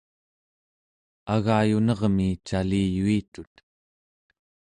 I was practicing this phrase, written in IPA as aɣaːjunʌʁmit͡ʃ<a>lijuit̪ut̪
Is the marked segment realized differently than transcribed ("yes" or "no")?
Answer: no